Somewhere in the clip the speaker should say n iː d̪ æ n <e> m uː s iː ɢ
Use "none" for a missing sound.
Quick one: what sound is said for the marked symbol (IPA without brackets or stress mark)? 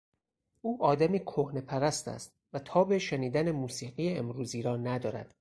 e